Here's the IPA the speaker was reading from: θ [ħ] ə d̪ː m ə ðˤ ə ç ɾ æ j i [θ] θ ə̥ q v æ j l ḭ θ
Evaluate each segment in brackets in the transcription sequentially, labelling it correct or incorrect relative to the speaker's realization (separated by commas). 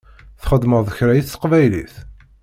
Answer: incorrect, correct